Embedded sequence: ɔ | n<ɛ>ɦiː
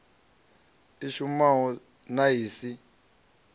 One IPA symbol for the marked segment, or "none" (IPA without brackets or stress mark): a